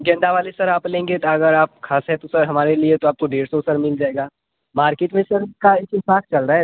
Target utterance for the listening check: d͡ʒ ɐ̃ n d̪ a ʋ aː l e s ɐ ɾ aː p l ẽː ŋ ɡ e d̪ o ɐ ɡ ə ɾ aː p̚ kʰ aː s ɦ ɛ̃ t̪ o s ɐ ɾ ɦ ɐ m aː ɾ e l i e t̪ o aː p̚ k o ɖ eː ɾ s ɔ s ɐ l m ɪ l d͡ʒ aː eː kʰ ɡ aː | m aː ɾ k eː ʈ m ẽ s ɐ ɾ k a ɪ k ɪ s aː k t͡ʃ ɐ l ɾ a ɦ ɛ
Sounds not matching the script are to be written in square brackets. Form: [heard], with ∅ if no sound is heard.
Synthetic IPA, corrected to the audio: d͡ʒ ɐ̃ n d̪ a ʋ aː l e s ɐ ɾ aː p l ẽː ŋ ɡ e [t̪] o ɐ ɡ ə ɾ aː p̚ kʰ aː s ɦ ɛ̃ t̪ o s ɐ ɾ ɦ ɐ m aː ɾ e l i e t̪ o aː p̚ k o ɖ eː ɾ s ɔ s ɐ [ɾ] m ɪ l d͡ʒ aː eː [∅] ɡ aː | m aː ɾ k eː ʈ m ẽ s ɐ ɾ k a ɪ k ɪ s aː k t͡ʃ ɐ l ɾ a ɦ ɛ